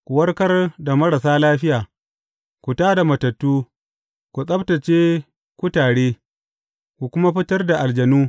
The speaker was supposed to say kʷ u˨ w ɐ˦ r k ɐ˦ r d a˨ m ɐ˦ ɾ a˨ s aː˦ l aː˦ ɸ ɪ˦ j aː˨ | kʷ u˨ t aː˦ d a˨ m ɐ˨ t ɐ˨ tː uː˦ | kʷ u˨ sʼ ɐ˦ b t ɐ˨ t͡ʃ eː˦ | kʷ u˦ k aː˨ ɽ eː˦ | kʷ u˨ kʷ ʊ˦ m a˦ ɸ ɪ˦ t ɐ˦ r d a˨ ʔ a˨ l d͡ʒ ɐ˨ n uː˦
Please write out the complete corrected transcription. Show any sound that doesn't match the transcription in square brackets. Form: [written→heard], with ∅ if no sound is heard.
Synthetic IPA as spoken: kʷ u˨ w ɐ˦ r k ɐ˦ r d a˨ m ɐ˦ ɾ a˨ s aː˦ l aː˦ ɸ ɪ˦ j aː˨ | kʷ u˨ t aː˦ d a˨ m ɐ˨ t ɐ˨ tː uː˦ | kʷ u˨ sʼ ɐ˦ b t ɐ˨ t͡ʃ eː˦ | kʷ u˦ [k→t] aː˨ ɽ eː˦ | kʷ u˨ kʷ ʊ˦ m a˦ ɸ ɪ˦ t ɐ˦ r d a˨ ʔ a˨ l d͡ʒ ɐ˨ n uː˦